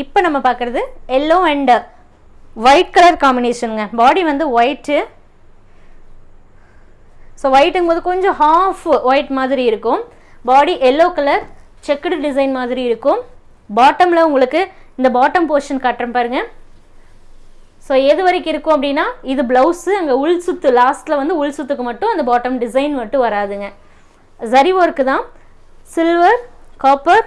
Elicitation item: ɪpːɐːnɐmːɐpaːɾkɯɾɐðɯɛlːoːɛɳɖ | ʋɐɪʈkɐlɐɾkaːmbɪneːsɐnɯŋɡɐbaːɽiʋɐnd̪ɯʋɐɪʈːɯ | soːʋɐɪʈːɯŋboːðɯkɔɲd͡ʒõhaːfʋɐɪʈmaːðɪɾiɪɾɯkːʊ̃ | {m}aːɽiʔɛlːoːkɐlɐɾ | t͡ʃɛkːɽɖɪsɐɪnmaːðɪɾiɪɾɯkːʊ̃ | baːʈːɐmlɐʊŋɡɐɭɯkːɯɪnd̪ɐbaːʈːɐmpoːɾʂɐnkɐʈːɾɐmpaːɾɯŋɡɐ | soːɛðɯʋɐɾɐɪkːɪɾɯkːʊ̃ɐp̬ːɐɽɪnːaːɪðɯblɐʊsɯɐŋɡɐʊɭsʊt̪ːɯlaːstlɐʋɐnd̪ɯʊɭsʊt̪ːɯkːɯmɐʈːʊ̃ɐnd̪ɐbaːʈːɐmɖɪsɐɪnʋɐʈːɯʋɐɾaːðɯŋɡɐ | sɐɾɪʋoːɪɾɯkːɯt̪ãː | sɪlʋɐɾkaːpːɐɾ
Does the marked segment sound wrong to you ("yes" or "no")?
yes